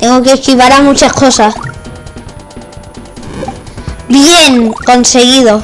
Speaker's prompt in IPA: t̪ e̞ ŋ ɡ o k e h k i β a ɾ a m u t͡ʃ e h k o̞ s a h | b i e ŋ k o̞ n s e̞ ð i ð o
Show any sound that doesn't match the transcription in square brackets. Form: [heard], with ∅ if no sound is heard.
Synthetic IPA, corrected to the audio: t̪ e̞ ŋ ɡ o k e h k i β a ɾ a m u t͡ʃ [a] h k o̞ s a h | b [j] e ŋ k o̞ n s e̞ [ɣ] i ð o

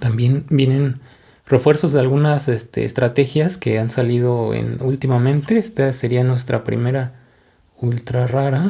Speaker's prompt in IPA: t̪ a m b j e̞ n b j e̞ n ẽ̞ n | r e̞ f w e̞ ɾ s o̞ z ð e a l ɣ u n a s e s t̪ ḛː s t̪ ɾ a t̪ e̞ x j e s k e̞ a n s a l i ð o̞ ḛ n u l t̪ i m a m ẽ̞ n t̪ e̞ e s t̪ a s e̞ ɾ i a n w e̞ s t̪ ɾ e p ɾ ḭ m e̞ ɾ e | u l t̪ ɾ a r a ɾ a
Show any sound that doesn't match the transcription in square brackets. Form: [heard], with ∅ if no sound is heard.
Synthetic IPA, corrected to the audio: t̪ a m b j e̞ n b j e̞ n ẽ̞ n | r e̞ f w e̞ ɾ s o̞ z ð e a l ɣ u n a s e s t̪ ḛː s t̪ ɾ a t̪ e̞ x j [a] s k e̞ a n s a l i ð o̞ ḛ n u l t̪ i m a m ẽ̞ n t̪ e̞ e s t̪ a s e̞ ɾ i a n w e̞ s t̪ ɾ [a] p ɾ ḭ m e̞ ɾ [a] | u l t̪ ɾ a r a ɾ a

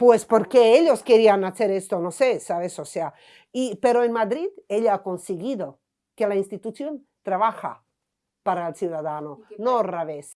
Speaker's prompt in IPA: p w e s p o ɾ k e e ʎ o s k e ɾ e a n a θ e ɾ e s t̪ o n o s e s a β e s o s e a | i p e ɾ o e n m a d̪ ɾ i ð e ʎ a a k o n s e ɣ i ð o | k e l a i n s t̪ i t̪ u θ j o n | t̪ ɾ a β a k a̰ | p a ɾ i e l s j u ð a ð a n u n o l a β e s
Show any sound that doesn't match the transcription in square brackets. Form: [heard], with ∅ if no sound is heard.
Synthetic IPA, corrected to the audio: p w e s p o ɾ k e e ʎ o s k e ɾ [i] a n a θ e ɾ e s t̪ o n o s e s a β e s o s e a | i p e ɾ o e n m a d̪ ɾ i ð e ʎ a a k o n s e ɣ i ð o | k e l a i n s t̪ i t̪ u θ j o n | t̪ ɾ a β a [x] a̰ | p a ɾ [a] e l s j u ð a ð a n [o] n o [r] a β e s

